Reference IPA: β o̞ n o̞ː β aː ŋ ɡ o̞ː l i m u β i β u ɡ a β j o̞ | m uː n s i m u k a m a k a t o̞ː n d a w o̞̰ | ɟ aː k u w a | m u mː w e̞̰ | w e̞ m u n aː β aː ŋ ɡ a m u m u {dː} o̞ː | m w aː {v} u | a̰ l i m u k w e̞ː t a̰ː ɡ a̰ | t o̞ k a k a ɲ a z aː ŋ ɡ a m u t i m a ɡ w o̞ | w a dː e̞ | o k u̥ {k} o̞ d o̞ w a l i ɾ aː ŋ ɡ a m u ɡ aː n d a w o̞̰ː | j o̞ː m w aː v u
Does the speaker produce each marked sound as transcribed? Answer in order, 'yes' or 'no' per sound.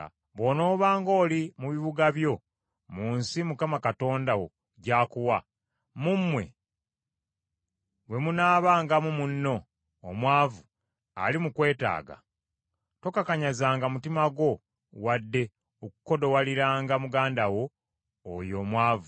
no, yes, yes

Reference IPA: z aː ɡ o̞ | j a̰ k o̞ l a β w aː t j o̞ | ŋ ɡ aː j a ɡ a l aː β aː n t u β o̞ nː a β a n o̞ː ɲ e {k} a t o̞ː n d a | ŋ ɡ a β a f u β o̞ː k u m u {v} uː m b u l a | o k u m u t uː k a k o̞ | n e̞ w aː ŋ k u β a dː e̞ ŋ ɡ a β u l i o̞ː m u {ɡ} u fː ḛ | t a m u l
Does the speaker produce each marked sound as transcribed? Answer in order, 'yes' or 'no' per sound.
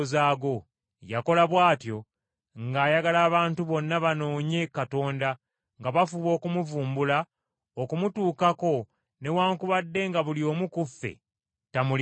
yes, yes, no

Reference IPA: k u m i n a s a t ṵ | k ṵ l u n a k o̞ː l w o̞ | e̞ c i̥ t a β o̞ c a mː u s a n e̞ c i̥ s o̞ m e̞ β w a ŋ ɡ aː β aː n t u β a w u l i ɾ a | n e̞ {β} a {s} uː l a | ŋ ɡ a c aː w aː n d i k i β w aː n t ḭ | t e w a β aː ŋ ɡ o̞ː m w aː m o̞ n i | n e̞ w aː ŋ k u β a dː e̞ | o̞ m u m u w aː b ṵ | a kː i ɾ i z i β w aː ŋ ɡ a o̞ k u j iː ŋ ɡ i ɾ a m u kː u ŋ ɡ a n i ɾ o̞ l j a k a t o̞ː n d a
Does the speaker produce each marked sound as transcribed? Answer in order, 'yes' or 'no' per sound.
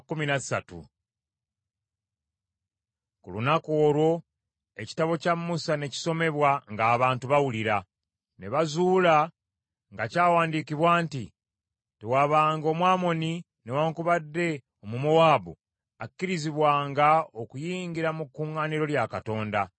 yes, no

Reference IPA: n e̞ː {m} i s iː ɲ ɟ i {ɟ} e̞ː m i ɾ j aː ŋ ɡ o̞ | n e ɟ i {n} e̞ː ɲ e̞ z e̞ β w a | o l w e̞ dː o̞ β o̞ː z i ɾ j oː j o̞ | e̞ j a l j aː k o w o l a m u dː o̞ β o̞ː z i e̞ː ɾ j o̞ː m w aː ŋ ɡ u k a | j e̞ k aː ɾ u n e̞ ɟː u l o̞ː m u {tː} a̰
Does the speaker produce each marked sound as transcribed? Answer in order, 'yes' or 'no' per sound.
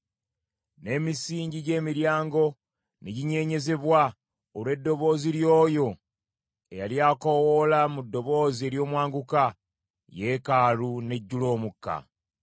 yes, yes, no, no

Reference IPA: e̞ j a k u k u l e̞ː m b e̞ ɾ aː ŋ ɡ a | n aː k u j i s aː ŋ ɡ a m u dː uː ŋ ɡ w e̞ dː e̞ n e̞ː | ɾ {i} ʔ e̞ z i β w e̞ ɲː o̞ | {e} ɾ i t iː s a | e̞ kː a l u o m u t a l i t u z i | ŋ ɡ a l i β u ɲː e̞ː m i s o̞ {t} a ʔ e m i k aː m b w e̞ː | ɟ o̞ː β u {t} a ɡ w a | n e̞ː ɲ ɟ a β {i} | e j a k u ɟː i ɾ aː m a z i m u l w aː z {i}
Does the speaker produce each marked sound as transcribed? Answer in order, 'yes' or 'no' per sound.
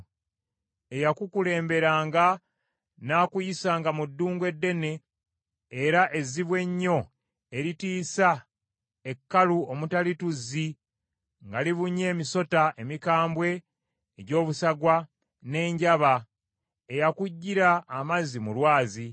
no, yes, yes, no, no, yes

